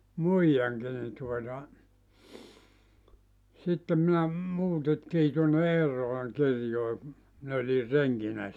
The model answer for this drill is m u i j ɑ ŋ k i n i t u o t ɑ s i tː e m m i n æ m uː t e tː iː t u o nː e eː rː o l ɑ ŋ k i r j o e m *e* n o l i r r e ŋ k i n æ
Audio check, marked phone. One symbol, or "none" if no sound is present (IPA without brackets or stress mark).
i